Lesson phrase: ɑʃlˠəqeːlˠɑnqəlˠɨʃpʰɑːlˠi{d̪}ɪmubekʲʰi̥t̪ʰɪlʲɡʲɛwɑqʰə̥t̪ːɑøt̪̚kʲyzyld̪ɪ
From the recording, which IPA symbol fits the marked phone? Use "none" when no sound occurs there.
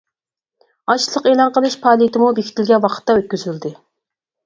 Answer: t̪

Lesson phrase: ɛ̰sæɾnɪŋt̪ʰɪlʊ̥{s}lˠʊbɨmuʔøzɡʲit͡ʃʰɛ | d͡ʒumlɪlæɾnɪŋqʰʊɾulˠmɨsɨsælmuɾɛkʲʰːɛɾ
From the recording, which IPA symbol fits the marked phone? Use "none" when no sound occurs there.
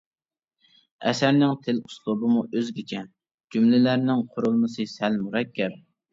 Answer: s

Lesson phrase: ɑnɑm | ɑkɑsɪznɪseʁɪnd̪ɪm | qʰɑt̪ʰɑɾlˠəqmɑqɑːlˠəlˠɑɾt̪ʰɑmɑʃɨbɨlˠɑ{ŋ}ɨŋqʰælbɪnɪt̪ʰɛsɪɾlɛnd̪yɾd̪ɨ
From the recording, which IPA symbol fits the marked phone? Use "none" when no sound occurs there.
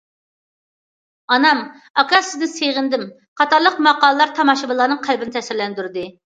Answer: n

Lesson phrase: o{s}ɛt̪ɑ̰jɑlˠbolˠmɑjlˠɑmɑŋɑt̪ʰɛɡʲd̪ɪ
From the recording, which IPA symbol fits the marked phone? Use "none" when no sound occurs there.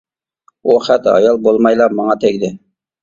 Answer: χ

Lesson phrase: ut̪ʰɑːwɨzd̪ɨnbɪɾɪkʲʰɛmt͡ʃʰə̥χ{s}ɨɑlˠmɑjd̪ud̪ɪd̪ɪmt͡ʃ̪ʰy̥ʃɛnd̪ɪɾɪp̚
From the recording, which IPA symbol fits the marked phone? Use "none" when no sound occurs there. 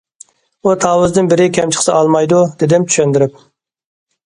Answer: s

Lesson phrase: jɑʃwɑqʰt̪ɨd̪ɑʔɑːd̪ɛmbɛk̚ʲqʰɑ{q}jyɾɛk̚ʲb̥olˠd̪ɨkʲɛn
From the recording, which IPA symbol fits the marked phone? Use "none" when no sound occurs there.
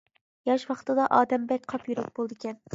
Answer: p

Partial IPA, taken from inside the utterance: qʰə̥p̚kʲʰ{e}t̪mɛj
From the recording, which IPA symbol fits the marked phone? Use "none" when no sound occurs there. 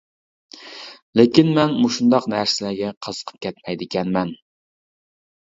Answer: ɛ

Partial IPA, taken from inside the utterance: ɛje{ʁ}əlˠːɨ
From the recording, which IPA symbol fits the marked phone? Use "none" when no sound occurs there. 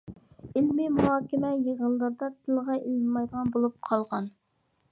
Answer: ʁ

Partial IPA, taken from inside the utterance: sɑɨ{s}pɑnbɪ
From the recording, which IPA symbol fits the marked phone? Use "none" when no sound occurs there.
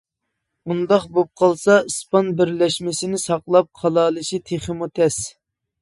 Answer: s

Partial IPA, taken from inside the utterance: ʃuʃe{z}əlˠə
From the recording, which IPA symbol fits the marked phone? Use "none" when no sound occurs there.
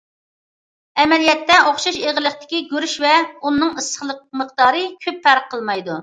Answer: ʁ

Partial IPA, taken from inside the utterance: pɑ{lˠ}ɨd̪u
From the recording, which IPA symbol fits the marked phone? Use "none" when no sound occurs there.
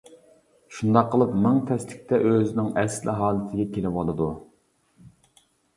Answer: lˠ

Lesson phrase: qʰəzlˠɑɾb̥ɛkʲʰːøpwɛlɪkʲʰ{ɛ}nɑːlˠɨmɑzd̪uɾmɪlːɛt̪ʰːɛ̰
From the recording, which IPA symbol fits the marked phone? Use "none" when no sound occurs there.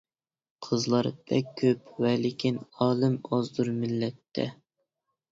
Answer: i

